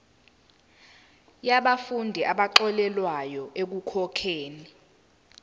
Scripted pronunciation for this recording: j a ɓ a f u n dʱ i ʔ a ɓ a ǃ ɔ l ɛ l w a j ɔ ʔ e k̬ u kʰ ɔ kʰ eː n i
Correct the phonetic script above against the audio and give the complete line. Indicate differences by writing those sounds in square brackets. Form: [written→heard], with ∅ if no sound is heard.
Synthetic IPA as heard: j a ɓ a f u n dʱ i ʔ a ɓ a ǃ ɔ l ɛ l w a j ɔ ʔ e k̬ u kʰ ɔ kʰ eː n i